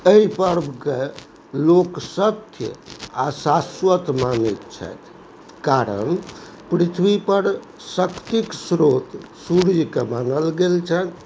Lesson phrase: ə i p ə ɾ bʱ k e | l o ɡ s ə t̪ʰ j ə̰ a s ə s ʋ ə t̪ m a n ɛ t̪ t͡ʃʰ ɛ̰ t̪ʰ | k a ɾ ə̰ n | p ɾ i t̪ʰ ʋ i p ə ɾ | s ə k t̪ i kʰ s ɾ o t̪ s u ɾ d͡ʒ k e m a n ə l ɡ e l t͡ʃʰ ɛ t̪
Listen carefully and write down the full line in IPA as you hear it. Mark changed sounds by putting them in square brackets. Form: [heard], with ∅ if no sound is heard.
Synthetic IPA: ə i p ə ɾ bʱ k e | l o [k] s ə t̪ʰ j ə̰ a s [a] s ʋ ə t̪ m a n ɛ t̪ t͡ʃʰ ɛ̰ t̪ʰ | k a ɾ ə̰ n | p ɾ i t̪ʰ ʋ i p ə ɾ | s ə k t̪ i [k] s ɾ o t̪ s u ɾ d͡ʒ k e m a n ə l ɡ e l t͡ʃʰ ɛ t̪